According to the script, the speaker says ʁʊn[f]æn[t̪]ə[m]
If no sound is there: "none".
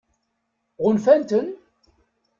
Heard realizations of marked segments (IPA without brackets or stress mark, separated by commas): f, t̪, n